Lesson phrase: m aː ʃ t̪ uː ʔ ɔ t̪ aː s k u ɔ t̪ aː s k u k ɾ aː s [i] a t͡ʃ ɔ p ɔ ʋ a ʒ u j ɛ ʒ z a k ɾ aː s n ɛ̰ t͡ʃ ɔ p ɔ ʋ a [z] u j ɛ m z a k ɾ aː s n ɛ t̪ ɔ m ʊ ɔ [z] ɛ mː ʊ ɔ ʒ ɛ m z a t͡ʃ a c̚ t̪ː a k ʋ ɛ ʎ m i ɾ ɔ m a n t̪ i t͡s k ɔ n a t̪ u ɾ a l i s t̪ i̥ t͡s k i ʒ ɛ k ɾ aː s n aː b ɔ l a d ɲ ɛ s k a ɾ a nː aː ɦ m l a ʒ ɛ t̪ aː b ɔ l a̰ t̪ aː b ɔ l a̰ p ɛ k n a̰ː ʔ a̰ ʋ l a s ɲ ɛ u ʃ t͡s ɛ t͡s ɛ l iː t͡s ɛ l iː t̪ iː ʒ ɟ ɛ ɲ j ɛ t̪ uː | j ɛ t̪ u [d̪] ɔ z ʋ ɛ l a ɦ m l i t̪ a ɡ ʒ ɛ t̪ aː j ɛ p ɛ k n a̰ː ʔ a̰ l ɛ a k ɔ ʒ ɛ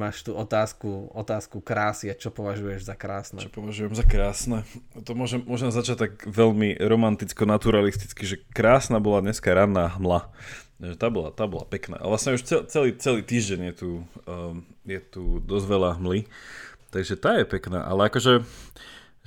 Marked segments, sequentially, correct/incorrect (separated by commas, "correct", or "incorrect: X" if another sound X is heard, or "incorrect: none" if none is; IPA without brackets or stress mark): correct, incorrect: ʒ, incorrect: ʒ, correct